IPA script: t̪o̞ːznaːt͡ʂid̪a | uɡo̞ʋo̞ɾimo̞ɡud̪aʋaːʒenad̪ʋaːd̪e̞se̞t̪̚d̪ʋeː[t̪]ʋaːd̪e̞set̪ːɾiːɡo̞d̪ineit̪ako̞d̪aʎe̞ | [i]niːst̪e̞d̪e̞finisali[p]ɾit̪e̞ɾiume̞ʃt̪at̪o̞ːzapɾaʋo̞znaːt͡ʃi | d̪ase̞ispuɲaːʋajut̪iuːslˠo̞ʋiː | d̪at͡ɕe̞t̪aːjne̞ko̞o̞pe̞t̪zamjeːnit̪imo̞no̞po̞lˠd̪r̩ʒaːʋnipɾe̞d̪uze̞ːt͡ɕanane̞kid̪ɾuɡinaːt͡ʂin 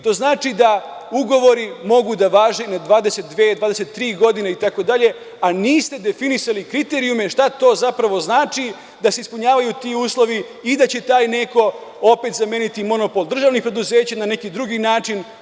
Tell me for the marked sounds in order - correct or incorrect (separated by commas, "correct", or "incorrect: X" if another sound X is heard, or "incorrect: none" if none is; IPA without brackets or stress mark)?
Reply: incorrect: d̪, incorrect: a, incorrect: k